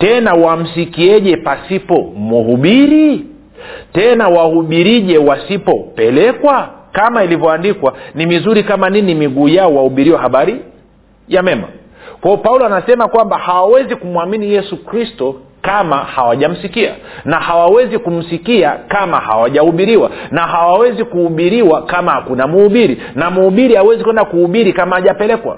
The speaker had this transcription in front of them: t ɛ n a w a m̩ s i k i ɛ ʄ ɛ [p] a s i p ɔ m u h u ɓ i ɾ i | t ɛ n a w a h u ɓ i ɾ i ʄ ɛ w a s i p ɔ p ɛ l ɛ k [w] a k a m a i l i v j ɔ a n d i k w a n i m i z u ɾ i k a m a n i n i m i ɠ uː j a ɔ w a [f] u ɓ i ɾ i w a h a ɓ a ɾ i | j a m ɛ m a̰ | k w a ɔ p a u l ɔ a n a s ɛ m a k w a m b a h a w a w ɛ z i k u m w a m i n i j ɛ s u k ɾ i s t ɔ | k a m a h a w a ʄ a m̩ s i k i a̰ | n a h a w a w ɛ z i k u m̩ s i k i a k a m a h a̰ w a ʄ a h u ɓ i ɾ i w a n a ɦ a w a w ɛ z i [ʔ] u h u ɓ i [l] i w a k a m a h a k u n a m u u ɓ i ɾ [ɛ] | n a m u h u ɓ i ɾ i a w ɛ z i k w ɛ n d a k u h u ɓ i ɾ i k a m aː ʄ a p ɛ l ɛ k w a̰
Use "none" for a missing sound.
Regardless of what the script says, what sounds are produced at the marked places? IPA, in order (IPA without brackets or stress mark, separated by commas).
p, w, h, k, ɾ, i